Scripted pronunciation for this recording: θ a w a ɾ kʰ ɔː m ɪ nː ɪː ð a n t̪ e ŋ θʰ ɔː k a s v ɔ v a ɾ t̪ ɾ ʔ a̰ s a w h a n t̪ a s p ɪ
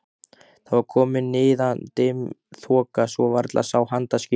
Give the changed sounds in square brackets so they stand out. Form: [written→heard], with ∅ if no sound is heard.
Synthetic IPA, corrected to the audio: θ a [w→v] a ɾ kʰ ɔː m ɪ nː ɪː ð a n t̪ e [ŋ→m] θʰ ɔː k a s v ɔ v a ɾ t̪ [ɾ→l] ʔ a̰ s a w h a n t̪ a s [p→c] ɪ